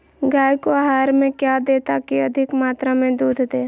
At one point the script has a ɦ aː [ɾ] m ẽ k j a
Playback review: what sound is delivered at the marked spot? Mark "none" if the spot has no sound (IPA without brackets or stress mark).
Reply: ɾ